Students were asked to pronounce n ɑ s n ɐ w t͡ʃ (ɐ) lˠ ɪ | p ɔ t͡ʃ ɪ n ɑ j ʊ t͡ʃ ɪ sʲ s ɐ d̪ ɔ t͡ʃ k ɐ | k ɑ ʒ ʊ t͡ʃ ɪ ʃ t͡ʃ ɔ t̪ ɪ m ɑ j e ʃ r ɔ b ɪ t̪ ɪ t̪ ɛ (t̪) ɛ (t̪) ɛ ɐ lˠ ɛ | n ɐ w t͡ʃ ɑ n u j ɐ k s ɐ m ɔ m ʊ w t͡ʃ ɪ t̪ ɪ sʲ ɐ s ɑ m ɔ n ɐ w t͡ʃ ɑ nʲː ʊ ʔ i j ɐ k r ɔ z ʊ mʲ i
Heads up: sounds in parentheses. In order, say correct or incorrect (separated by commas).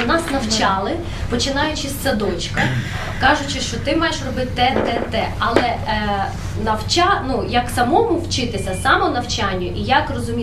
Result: incorrect, correct, correct